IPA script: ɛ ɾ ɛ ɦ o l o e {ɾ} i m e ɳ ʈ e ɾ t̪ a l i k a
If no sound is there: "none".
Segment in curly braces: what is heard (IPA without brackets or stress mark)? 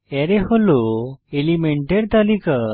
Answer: l